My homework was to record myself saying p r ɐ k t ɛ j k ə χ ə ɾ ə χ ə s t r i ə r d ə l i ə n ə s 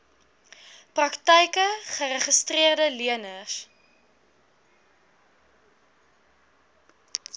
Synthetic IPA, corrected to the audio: p r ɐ k t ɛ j k ə χ ə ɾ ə χ ə s t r i ə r d ə l i ə n ə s